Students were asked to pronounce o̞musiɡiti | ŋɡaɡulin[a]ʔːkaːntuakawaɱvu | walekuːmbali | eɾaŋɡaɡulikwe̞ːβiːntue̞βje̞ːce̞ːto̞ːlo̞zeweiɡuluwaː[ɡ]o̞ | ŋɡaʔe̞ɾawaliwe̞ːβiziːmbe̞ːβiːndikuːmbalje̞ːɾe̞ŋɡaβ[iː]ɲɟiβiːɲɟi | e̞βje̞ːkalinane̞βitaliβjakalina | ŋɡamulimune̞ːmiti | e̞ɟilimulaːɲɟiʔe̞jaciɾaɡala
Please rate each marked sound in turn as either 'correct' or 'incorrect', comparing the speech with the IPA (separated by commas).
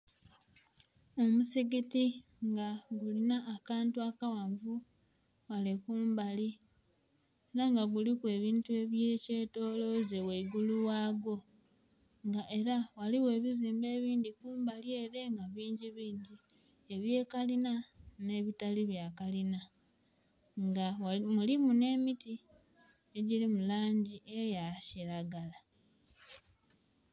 correct, correct, correct